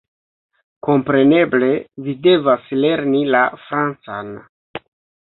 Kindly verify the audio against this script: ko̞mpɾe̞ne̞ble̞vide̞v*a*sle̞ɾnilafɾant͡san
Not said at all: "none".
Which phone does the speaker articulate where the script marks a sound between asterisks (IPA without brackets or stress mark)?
a